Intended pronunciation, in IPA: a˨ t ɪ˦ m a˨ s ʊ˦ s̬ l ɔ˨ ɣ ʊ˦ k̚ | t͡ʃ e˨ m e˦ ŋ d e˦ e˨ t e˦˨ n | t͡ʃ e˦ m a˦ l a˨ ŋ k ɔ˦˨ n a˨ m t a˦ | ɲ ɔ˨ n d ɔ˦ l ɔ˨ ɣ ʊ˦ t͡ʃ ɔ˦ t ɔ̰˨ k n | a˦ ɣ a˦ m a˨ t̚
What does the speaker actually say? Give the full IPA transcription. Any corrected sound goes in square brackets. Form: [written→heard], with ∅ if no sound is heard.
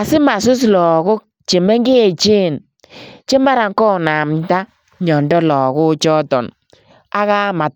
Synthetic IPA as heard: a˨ [t→s] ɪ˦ m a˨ s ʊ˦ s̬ l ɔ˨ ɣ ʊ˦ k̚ | t͡ʃ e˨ m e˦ ŋ [d→ɡ] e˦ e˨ [t→t͡ʃ] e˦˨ n | t͡ʃ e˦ m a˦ [l→ɾ] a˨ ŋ k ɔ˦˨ n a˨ m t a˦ | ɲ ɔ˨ n d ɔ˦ l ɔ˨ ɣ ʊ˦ t͡ʃ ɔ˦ t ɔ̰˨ [k→∅] n | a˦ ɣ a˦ m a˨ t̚